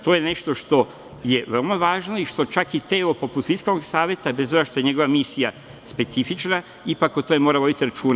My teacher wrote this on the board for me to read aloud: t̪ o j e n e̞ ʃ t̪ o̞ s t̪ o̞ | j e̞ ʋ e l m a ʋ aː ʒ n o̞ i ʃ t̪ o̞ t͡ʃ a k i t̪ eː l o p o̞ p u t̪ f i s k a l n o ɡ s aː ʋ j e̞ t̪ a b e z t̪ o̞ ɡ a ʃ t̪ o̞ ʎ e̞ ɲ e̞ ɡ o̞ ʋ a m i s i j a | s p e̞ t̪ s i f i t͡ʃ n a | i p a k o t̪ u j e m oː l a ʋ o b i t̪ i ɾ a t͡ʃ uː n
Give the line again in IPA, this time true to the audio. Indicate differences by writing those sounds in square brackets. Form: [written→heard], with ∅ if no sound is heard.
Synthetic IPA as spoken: t̪ o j e n e̞ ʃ t̪ o̞ [s→ʃ] t̪ o̞ | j e̞ ʋ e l m a ʋ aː ʒ n o̞ i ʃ t̪ o̞ t͡ʃ a k i t̪ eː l o p o̞ p u t̪ f i s k a l n o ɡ s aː ʋ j e̞ t̪ a b e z t̪ o̞ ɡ a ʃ t̪ o̞ [ʎ→j] e̞ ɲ e̞ ɡ o̞ ʋ a m i s i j a | s p e̞ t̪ s i f i t͡ʃ n a | i p a k o t̪ [u→o] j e m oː [l→ɾ] a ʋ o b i t̪ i ɾ a t͡ʃ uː n

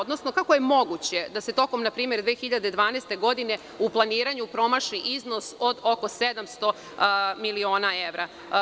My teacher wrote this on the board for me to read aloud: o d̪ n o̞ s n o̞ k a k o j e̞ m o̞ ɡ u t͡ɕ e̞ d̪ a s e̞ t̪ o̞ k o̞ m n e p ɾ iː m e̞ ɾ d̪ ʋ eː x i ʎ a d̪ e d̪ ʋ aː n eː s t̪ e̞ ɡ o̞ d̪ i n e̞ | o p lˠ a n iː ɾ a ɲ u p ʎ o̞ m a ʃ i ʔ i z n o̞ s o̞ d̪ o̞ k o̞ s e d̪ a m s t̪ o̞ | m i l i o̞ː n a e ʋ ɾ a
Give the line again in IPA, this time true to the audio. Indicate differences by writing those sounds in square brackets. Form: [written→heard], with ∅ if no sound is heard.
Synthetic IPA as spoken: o d̪ n o̞ s n o̞ k a k o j e̞ m o̞ ɡ u t͡ɕ e̞ d̪ a s e̞ t̪ o̞ k o̞ m n [e→a] p ɾ iː m e̞ ɾ d̪ ʋ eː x i ʎ a d̪ e d̪ ʋ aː n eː s t̪ e̞ ɡ o̞ d̪ i n e̞ | [o→u] p lˠ a n iː ɾ a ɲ u p [ʎ→ɾ] o̞ m a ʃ i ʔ i z n o̞ s o̞ d̪ o̞ k o̞ s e d̪ a m s t̪ o̞ | m i l i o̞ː n a e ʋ ɾ a

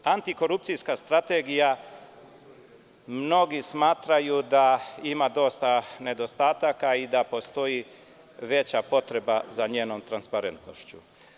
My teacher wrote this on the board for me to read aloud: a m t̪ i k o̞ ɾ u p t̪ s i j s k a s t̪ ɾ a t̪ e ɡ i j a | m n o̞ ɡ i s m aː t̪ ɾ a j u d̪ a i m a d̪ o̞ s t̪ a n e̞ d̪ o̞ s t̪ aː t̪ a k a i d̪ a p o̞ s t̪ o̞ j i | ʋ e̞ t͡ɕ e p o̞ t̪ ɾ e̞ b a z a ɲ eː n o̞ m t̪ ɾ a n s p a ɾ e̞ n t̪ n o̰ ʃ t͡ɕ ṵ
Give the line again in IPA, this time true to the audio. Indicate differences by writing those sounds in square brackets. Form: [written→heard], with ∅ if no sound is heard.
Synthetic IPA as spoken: a [m→n] t̪ i k o̞ ɾ u p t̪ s i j s k a s t̪ ɾ a t̪ e ɡ i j a | m n o̞ ɡ i s m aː t̪ ɾ a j u d̪ a i m a d̪ o̞ s t̪ a n e̞ d̪ o̞ s t̪ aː t̪ a k a i d̪ a p o̞ s t̪ o̞ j i | ʋ e̞ t͡ɕ [e→a] p o̞ t̪ ɾ e̞ b a z a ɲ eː n o̞ m t̪ ɾ a n s p a ɾ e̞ n t̪ n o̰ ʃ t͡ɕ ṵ

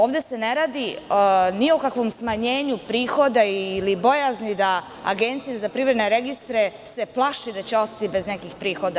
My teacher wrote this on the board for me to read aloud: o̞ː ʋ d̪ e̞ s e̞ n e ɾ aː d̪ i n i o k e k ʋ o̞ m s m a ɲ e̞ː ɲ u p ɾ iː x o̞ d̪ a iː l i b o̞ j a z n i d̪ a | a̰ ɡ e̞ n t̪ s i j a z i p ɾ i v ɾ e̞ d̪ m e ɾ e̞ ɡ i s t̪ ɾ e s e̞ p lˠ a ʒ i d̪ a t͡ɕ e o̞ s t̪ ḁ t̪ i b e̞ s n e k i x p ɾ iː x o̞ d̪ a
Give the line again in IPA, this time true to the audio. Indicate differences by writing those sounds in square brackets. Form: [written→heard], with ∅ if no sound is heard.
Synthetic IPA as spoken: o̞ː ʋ d̪ e̞ s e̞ n e ɾ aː d̪ i n i o k [e→a] k ʋ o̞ m s m a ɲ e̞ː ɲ u p ɾ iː x o̞ d̪ a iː l i b o̞ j a z n i d̪ a | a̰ ɡ e̞ n t̪ s i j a z [i→a] p ɾ i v ɾ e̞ d̪ [m→n] e ɾ e̞ ɡ i s t̪ ɾ e s e̞ p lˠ a [ʒ→ʃ] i d̪ a t͡ɕ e o̞ s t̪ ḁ t̪ i b e̞ [s→z] n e k i x p ɾ iː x o̞ d̪ a

